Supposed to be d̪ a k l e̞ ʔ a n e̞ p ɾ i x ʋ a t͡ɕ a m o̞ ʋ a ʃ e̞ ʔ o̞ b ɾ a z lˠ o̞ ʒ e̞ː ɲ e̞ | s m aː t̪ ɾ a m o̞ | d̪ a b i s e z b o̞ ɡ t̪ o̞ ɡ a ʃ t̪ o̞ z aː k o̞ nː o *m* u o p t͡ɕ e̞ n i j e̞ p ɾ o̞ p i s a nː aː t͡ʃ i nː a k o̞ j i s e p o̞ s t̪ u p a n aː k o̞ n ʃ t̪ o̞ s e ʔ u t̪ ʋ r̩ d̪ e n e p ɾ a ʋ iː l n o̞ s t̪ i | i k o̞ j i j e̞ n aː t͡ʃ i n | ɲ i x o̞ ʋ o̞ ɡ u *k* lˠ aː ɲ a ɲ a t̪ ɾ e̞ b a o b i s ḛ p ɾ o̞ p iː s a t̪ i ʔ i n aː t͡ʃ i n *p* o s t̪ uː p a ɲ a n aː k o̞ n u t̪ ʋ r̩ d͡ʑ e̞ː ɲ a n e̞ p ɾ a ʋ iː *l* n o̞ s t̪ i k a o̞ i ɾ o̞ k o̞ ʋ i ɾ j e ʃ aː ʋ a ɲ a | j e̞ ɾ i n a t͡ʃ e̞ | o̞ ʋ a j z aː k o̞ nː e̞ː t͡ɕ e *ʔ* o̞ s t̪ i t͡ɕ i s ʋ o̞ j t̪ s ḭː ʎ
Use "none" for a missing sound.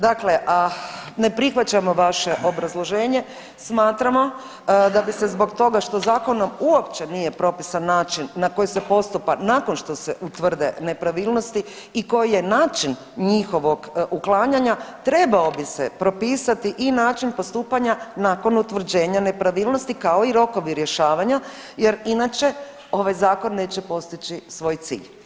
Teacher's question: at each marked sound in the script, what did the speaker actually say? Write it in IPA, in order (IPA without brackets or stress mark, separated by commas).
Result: m, k, p, l, p